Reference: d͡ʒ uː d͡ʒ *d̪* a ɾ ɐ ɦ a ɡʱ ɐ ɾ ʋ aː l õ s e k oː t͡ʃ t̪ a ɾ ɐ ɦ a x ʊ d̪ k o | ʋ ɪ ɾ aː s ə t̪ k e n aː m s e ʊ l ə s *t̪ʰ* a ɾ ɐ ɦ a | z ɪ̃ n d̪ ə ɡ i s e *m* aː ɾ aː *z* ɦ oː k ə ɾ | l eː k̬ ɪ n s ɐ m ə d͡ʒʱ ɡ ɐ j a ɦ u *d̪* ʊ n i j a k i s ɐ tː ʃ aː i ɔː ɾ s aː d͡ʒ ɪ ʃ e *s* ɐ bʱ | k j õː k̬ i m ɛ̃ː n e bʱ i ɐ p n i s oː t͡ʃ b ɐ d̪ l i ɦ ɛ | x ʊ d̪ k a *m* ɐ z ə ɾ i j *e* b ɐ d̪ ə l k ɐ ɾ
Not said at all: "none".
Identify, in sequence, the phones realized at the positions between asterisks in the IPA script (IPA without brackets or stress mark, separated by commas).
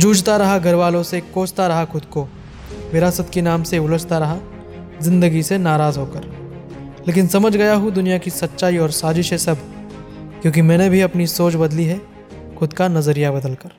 t̪, t̪, n, z, d̪, s, n, a